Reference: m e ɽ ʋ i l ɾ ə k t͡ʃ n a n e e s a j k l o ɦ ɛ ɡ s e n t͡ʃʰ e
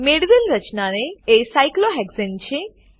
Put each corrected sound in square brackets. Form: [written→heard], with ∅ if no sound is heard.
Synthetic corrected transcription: m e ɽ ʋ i l ɾ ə [k→∅] t͡ʃ n a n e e s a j k l o ɦ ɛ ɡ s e n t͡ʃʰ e